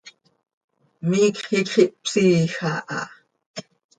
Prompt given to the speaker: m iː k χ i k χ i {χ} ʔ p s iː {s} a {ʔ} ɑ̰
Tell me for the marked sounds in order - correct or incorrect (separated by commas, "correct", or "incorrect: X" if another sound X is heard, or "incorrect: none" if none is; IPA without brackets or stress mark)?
incorrect: none, incorrect: x, correct